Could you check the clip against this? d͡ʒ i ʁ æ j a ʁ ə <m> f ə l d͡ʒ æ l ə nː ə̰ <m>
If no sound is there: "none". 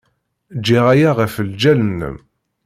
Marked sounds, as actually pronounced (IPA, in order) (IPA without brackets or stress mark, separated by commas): none, m